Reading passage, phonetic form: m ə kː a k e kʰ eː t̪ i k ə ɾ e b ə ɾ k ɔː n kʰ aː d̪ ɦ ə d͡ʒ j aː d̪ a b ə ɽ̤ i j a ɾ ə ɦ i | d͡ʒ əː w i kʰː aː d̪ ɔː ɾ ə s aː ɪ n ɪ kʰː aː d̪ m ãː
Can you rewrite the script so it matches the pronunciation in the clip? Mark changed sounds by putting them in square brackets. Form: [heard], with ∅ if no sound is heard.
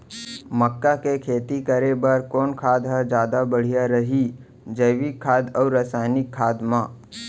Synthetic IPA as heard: m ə kː a k e kʰ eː t̪ i k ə ɾ e b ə ɾ k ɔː n kʰ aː d̪ ɦ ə d͡ʒ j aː d̪ a b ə ɽ̤ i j a ɾ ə ɦ i | d͡ʒ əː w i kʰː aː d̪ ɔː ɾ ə s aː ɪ n ɪ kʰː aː d̪ m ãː